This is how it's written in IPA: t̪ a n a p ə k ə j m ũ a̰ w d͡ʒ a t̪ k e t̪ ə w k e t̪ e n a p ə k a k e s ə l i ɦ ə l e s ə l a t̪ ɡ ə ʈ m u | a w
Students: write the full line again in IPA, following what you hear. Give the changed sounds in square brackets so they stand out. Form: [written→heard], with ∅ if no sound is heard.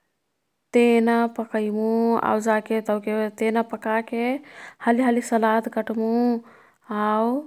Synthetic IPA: t̪ [a→e] n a p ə k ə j m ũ a̰ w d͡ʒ a [t̪→∅] k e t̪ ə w k e t̪ e n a p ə k a k e [s→h] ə l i ɦ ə l [e→i] s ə l a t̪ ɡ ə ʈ m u | a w